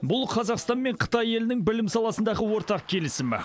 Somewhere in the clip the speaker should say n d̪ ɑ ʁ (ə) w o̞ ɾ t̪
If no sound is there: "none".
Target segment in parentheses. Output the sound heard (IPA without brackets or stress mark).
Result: ə